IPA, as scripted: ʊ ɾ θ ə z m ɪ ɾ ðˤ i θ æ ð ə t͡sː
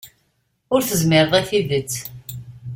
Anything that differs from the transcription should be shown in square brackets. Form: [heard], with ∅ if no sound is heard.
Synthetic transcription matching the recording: ʊ ɾ θ ə z m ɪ ɾ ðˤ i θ [i] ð ə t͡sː